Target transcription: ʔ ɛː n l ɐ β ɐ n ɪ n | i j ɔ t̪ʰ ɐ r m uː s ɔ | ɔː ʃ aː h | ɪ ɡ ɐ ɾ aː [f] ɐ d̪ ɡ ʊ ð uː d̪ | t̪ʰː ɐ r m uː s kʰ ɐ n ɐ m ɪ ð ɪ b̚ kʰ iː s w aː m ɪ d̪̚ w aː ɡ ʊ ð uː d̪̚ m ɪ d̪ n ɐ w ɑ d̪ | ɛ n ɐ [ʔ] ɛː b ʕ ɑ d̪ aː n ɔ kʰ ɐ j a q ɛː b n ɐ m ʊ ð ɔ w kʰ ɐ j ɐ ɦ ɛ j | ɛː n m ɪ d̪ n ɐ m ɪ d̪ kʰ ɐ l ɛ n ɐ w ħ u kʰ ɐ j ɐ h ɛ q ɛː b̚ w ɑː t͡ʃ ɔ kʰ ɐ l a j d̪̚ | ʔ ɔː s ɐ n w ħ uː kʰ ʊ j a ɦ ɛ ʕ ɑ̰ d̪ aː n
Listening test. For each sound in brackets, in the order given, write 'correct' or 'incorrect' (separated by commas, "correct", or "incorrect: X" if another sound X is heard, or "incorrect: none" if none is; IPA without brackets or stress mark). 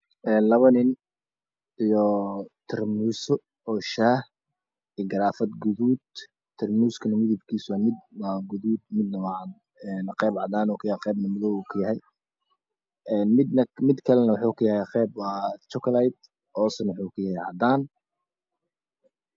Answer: correct, incorrect: q